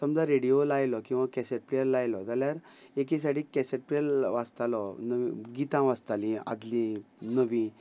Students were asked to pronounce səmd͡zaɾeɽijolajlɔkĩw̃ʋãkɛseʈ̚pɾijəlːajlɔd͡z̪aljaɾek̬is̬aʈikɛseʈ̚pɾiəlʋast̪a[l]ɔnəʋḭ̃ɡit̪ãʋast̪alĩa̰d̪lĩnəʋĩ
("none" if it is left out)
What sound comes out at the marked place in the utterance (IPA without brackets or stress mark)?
l